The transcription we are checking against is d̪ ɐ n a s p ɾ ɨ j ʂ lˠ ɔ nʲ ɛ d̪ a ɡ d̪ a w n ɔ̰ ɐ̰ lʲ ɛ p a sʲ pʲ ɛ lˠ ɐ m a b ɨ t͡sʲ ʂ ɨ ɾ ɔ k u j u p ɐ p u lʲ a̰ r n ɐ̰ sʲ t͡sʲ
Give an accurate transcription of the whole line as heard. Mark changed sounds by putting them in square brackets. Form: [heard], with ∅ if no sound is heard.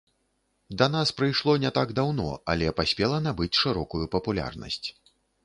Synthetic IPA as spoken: d̪ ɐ n a s p ɾ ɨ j ʂ lˠ ɔ nʲ ɛ [t̪] a ɡ d̪ a w n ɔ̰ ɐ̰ lʲ ɛ p a sʲ pʲ ɛ lˠ ɐ [n] a b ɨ t͡sʲ ʂ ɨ ɾ ɔ k u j u p ɐ p u lʲ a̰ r n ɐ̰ sʲ t͡sʲ